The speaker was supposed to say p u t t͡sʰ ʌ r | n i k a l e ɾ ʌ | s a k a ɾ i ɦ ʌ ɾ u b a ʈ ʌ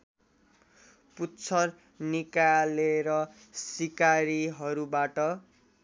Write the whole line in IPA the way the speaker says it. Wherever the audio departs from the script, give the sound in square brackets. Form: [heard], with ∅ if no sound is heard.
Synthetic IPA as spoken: p u t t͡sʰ ʌ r | n i k a l e ɾ ʌ | s [i] k a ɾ i ɦ ʌ ɾ u b a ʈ ʌ